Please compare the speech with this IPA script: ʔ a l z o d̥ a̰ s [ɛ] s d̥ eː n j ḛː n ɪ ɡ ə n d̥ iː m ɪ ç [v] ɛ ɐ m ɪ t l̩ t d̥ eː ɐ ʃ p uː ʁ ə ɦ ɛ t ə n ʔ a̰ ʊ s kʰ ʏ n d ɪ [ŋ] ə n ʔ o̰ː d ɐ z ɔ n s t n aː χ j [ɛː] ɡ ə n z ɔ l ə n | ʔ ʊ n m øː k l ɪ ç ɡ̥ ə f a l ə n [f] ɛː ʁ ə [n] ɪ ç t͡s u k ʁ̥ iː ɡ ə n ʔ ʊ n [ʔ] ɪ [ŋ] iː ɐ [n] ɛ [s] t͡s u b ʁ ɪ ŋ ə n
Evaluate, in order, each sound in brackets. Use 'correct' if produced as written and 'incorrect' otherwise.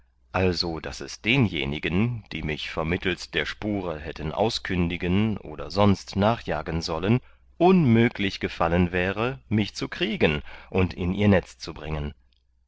correct, incorrect: f, incorrect: ɡ, incorrect: aː, incorrect: v, incorrect: m, incorrect: t, incorrect: n, correct, incorrect: t͡s

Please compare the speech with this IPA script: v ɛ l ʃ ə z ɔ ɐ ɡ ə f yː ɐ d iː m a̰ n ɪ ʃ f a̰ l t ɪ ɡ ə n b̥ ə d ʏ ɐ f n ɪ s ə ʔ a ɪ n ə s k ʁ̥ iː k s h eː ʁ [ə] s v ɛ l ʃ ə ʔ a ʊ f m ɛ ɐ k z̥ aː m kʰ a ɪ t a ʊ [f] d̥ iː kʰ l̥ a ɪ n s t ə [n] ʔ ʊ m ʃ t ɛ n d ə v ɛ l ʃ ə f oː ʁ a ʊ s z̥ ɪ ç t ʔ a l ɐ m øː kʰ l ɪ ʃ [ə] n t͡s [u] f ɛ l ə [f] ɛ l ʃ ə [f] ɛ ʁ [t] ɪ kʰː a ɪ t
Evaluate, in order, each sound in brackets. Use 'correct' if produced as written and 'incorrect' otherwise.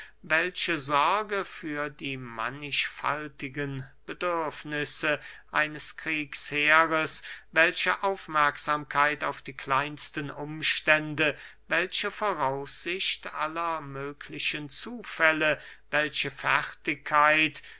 correct, correct, correct, correct, incorrect: uː, incorrect: v, correct, correct

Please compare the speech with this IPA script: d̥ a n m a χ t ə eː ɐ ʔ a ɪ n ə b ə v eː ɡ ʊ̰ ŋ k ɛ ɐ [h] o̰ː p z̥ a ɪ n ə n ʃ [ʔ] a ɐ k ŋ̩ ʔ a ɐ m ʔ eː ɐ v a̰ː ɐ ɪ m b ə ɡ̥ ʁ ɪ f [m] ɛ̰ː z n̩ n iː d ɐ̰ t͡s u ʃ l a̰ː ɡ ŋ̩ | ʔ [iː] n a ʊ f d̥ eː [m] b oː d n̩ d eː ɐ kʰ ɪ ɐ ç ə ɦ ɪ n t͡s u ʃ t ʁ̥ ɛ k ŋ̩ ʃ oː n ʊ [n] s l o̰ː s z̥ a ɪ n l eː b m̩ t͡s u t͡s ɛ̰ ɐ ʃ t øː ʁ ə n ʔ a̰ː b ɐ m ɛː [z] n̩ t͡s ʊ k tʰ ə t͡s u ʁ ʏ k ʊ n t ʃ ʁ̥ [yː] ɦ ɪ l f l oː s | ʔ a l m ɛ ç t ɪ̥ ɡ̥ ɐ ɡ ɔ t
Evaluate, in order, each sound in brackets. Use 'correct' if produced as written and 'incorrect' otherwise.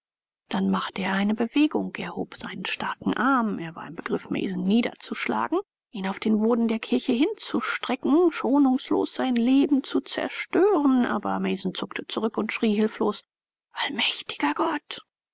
correct, incorrect: t, correct, correct, incorrect: n, incorrect: ŋ, correct, incorrect: iː

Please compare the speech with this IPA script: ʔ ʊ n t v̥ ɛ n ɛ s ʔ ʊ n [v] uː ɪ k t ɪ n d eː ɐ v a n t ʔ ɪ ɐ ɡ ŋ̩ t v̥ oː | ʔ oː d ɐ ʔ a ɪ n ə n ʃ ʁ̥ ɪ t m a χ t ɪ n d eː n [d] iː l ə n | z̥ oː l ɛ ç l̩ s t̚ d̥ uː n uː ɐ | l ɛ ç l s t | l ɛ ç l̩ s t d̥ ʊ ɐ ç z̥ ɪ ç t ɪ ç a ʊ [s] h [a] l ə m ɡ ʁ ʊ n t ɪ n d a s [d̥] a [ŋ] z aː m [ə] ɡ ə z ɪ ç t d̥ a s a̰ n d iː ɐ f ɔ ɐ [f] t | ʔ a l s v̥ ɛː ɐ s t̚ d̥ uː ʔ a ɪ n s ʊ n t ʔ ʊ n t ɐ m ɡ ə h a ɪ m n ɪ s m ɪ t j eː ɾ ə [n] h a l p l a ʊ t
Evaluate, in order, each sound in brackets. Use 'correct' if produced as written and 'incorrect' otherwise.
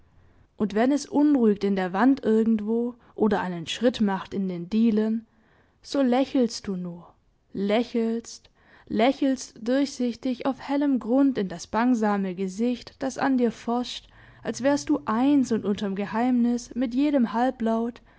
incorrect: ʁ, correct, incorrect: f, incorrect: ɛ, incorrect: b̥, correct, correct, incorrect: ʃ, incorrect: m

